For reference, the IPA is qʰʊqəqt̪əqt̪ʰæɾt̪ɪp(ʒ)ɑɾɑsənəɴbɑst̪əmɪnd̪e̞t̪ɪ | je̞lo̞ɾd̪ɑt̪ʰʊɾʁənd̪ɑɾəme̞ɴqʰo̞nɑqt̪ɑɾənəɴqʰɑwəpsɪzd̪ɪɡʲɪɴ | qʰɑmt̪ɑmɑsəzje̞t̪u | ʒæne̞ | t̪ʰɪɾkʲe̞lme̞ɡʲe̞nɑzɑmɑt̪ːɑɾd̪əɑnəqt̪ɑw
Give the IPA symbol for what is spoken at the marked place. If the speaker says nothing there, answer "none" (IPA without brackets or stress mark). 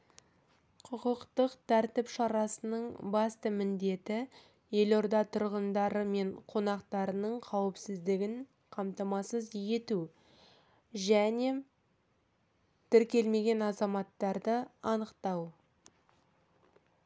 ʃ